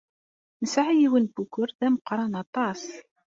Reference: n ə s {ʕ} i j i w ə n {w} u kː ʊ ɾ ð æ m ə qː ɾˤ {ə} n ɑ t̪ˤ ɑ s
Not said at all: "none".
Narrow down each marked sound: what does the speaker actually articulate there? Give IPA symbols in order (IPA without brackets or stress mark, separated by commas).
ʕ, b, ɑ